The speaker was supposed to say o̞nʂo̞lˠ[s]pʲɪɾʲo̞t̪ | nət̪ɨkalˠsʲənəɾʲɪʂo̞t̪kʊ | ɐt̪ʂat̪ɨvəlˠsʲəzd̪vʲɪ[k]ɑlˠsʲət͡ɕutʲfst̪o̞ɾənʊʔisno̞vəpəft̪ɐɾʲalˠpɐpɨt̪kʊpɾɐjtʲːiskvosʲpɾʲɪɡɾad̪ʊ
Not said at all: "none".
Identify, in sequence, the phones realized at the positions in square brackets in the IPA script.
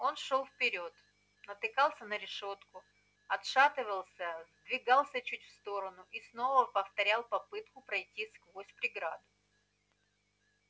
f, ɡ

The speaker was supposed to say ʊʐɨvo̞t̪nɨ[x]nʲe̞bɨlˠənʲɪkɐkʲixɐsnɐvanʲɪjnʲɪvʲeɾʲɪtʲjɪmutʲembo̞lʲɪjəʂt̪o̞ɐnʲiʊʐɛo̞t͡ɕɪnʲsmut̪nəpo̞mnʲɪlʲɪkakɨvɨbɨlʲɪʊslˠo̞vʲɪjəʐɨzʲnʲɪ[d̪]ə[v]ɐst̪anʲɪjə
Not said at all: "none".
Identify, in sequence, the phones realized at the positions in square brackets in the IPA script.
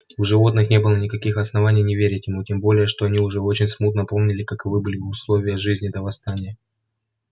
x, d̪, v

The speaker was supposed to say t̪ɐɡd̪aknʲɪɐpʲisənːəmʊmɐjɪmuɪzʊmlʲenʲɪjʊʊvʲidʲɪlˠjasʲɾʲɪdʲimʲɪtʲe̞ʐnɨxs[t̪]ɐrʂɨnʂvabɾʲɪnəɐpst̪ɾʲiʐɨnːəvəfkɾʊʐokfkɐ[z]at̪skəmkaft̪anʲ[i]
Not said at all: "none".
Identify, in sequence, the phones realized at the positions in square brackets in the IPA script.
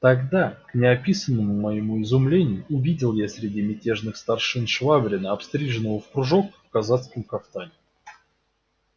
t̪, z, ɪ

